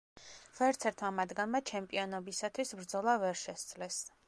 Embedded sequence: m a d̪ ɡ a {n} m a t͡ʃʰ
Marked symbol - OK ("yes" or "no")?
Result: yes